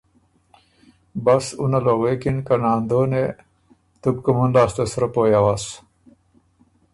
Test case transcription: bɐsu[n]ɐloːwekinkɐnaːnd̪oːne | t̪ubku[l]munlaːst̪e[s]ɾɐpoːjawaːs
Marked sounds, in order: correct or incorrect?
correct, incorrect: none, correct

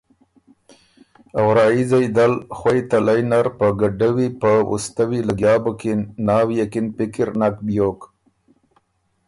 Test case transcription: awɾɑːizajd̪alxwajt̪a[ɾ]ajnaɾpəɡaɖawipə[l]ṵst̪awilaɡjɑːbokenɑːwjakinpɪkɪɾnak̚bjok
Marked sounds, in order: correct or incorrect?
incorrect: l, incorrect: none

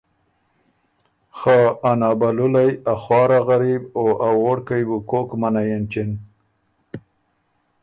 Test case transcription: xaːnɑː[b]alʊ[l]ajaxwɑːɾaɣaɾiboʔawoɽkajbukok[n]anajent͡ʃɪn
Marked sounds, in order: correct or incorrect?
correct, correct, incorrect: m

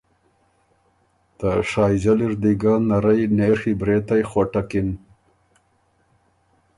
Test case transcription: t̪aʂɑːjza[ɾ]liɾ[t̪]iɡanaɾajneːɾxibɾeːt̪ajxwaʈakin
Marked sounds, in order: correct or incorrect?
incorrect: none, incorrect: d̪

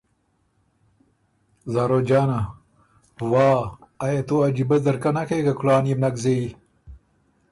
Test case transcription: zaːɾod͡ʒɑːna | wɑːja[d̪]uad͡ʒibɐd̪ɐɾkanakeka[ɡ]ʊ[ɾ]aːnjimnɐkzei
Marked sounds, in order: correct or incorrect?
incorrect: t̪, incorrect: k, incorrect: l

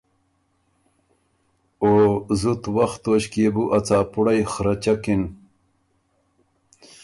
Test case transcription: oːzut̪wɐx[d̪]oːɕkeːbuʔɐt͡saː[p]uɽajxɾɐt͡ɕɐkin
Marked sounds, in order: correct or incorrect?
incorrect: t̪, correct

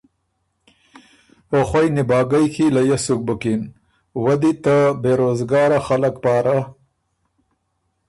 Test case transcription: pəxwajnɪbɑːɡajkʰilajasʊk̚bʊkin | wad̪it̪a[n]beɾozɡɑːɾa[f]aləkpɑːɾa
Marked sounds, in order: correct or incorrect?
incorrect: none, incorrect: x

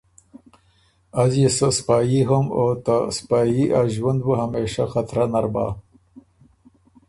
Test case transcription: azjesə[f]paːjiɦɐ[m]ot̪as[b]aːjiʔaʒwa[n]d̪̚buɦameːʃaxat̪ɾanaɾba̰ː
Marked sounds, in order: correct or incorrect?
incorrect: s, correct, incorrect: p, correct

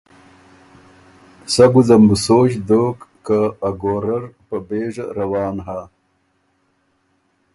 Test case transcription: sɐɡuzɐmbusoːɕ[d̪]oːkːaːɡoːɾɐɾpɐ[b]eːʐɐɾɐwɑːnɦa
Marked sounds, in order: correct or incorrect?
correct, correct

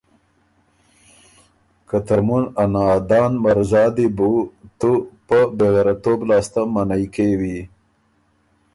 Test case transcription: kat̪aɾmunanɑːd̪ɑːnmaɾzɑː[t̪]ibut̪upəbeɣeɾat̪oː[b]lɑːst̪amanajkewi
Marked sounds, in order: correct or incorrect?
incorrect: d̪, correct

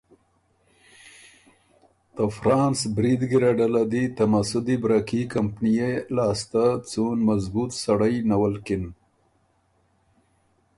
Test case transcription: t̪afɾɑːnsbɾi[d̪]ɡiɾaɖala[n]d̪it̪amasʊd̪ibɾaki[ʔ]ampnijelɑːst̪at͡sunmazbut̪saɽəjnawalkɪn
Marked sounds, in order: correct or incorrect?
correct, incorrect: none, incorrect: k

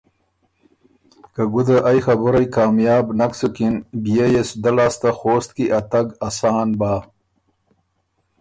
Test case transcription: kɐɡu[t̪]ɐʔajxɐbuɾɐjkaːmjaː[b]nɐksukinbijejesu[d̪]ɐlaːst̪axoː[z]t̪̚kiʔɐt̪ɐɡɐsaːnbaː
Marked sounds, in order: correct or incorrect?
incorrect: d̪, correct, correct, incorrect: s

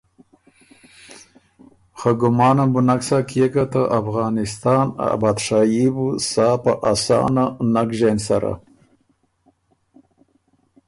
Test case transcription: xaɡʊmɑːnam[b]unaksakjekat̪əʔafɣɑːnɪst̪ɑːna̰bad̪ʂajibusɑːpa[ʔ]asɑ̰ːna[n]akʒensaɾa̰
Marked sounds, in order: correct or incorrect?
correct, correct, correct

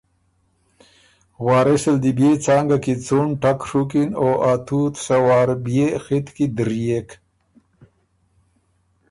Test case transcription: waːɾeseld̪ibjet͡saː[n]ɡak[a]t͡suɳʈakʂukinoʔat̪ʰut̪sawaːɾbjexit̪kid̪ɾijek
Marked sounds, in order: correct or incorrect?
incorrect: ŋ, incorrect: i

